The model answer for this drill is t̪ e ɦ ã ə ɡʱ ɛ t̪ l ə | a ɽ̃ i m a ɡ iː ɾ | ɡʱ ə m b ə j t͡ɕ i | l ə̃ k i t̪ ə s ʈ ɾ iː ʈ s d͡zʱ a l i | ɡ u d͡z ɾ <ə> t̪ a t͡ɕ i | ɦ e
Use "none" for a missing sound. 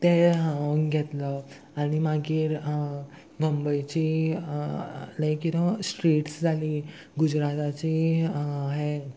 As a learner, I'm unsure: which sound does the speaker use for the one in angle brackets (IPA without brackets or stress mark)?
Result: a